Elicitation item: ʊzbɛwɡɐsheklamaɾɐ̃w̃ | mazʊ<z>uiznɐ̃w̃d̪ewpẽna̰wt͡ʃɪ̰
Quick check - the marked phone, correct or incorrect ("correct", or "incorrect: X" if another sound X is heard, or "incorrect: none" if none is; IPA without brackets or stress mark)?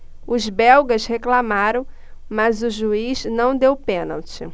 incorrect: ʒ